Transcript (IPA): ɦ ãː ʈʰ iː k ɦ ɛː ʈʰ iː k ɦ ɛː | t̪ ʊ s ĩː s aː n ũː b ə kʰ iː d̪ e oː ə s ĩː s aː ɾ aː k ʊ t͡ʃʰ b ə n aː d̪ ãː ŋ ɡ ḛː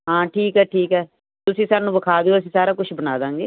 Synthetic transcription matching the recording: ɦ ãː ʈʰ iː k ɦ ɛː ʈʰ iː k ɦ ɛː | t̪ ʊ s ĩː s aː n ũː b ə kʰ aː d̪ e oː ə s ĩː s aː ɾ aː k ʊ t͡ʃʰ b ə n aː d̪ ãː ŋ ɡ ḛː